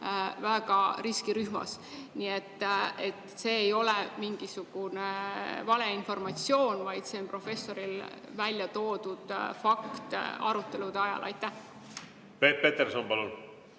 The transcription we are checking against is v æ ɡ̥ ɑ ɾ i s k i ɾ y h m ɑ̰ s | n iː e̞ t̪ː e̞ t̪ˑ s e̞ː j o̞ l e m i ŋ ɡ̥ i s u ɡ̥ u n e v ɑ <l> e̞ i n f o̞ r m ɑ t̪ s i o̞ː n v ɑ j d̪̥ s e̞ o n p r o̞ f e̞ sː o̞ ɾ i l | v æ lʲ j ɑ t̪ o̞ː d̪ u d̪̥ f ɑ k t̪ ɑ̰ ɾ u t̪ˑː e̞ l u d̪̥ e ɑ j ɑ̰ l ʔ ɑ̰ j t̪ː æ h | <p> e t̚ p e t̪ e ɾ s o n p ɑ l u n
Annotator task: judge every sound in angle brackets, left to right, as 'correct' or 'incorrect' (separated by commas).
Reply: correct, correct